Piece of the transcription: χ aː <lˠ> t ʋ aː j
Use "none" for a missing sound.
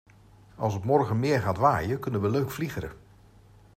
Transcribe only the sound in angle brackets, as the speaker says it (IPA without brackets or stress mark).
none